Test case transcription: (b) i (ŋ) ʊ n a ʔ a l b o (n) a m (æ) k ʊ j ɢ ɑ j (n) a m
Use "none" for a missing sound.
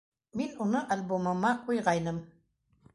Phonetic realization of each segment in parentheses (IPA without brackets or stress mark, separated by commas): m, n, m, a, n